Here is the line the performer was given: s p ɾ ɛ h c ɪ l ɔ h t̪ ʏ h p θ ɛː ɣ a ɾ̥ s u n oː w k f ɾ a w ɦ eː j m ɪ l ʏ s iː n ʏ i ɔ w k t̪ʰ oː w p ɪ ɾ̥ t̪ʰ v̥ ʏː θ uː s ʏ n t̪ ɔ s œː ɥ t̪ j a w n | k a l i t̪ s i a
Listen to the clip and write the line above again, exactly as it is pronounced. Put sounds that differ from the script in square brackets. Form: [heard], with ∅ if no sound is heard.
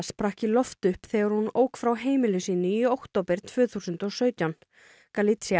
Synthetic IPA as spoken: s p ɾ [a] h c ɪ l ɔ [f] t̪ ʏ h p θ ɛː ɣ a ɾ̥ [h] u n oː w k f ɾ a w ɦ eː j m ɪ l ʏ s iː n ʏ i [o] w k [t̪] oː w p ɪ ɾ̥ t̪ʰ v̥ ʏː θ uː s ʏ n t̪ ɔ s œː ɥ t̪ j a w n | k a l i t̪ s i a